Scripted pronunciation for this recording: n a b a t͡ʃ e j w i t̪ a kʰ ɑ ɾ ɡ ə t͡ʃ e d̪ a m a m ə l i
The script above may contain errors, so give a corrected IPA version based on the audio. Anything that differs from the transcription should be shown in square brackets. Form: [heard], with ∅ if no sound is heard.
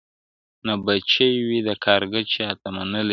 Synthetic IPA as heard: n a b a t͡ʃ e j w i [d̪] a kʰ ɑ ɾ ɡ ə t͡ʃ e [t̪] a m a [n] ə l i